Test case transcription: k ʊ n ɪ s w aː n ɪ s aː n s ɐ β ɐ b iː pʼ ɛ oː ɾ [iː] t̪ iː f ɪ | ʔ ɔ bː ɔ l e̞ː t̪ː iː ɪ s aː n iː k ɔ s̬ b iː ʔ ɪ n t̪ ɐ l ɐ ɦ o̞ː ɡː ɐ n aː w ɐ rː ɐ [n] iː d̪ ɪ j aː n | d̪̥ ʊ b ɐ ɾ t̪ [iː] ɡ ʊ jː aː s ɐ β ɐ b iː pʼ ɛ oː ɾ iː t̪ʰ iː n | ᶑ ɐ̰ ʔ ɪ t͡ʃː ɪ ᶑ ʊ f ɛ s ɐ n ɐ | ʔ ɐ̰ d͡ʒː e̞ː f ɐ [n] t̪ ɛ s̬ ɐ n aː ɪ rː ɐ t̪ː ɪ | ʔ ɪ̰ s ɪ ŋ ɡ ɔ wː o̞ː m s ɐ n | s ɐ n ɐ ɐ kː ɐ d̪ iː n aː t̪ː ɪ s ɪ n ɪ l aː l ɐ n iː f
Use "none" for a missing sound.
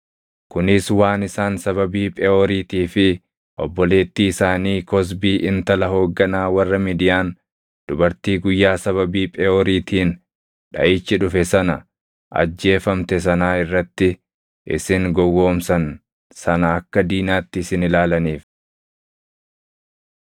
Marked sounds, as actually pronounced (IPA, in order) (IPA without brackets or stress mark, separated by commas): iː, m, iː, m